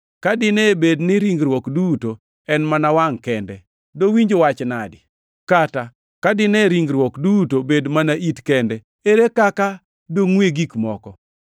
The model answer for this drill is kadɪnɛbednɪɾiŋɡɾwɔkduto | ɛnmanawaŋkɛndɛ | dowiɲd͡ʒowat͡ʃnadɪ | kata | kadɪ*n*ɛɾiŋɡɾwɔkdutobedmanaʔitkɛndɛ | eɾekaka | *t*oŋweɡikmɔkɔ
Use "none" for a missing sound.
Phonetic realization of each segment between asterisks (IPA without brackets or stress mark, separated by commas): n, d